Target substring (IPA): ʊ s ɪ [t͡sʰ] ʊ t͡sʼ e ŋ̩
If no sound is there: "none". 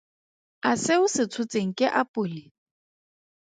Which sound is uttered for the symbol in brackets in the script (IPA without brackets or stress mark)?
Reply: t͡sʰ